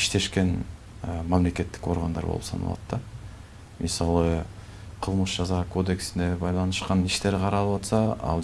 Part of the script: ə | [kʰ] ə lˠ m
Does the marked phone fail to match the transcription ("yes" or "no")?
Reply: yes